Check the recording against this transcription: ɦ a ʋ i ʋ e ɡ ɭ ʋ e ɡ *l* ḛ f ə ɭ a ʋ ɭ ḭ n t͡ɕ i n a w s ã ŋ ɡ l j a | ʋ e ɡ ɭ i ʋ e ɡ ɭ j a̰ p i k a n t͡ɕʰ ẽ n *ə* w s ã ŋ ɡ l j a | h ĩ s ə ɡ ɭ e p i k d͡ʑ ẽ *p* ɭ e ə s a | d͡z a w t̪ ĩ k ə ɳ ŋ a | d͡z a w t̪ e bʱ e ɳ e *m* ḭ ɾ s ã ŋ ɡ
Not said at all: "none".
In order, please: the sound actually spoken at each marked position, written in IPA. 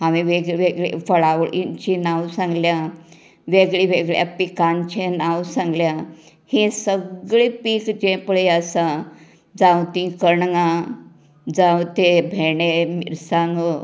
ɭ, a, p, m

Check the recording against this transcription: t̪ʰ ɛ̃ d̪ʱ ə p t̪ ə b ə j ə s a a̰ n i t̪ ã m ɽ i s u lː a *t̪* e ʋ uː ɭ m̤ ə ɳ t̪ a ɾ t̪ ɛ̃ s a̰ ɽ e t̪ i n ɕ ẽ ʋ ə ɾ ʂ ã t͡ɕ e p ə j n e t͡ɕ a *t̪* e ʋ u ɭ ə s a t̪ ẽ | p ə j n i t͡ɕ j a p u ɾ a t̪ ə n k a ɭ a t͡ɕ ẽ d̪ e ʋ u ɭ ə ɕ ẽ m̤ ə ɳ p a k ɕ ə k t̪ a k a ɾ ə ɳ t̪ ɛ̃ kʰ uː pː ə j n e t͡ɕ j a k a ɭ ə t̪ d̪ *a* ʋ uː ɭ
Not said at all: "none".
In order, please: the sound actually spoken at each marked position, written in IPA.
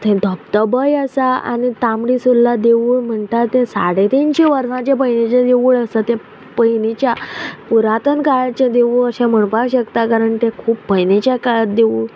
d̪, d̪, e

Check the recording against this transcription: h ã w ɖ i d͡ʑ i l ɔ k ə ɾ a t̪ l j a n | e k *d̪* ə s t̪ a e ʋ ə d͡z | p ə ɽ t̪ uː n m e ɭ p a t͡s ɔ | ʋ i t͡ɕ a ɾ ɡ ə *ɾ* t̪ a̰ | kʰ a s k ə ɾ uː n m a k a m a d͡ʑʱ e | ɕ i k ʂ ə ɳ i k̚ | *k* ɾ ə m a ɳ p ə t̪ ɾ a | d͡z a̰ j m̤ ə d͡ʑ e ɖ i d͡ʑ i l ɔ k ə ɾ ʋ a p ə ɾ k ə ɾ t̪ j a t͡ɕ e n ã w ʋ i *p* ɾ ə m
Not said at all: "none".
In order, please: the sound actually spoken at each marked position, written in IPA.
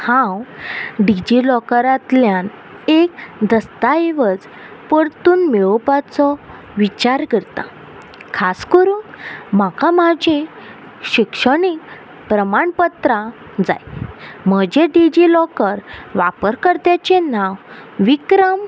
d̪, ɾ, p, k

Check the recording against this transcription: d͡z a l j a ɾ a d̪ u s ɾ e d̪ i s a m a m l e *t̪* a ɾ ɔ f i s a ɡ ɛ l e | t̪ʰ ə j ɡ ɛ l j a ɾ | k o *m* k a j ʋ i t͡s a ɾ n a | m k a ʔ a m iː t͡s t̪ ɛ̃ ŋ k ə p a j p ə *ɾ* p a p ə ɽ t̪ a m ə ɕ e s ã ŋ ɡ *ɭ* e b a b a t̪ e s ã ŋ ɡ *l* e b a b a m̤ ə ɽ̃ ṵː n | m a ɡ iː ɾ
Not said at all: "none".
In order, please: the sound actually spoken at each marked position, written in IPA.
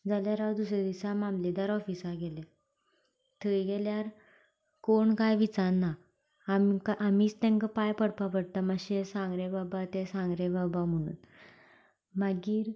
d̪, ɳ, ɽ, ɾ, ɾ

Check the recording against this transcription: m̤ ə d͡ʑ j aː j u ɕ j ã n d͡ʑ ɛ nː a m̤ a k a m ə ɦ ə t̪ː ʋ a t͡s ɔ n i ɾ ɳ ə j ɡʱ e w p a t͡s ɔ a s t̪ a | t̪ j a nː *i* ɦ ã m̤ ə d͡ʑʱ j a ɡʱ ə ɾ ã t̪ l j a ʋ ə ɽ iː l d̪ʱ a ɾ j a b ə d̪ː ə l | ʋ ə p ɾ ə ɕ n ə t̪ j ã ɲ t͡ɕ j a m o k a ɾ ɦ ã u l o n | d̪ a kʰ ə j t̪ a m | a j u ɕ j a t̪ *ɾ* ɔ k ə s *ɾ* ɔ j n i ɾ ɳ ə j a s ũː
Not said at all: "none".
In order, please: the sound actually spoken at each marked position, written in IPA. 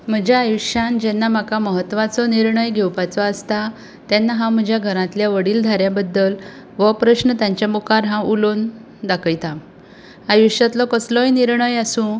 a, l, l

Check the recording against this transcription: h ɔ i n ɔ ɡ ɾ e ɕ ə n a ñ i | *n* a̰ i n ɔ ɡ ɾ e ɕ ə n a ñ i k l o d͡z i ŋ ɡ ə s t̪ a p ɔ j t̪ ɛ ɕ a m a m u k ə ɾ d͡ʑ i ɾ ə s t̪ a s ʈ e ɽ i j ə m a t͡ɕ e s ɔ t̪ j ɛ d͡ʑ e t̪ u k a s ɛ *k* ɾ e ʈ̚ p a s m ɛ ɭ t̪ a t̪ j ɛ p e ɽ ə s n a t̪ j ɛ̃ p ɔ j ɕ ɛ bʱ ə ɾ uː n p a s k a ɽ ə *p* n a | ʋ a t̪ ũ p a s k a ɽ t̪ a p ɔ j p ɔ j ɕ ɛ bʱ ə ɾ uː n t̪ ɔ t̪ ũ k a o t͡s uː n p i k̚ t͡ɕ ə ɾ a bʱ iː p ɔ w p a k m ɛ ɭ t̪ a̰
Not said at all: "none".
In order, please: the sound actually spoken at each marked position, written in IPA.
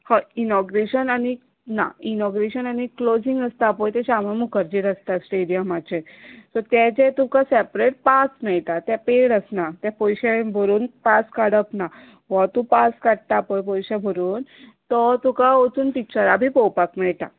n, p, p

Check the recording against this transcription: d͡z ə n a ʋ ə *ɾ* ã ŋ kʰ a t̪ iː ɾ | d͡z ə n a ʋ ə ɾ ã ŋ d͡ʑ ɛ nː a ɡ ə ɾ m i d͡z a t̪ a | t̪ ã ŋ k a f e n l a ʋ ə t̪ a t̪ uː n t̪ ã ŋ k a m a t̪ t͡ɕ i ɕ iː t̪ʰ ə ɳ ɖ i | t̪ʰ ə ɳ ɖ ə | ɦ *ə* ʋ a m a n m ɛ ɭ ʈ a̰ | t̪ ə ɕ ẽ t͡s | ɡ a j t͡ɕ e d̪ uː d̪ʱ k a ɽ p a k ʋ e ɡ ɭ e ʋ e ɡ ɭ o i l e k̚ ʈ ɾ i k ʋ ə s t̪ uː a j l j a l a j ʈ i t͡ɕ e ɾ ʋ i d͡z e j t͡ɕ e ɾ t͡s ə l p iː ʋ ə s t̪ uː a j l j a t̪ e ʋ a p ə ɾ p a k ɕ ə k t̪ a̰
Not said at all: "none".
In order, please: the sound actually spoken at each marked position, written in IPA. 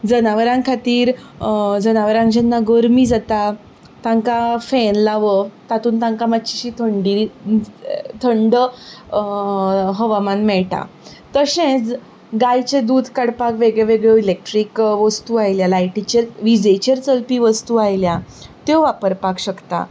ɾ, ə

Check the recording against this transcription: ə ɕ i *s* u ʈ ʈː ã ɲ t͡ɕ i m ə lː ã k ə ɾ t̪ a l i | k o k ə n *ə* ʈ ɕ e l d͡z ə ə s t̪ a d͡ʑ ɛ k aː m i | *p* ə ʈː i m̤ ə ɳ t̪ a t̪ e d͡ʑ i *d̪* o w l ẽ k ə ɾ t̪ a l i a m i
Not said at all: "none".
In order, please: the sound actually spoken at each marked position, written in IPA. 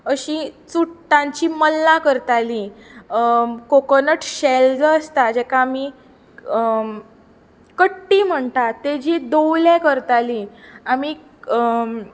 t͡s, ə, k, d̪

